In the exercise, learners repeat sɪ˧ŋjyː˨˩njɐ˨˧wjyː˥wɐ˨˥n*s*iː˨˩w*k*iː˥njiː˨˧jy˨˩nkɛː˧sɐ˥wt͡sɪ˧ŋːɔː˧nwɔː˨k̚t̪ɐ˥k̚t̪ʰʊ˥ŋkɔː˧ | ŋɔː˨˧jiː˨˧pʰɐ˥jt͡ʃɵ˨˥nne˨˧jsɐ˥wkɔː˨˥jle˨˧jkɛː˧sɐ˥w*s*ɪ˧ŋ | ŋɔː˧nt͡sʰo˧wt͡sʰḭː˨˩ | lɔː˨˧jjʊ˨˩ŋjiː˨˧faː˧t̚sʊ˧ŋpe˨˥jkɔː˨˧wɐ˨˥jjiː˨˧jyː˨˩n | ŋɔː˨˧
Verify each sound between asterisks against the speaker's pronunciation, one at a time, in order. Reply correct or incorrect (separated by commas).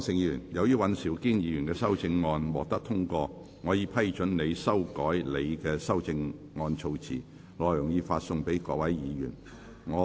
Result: correct, correct, incorrect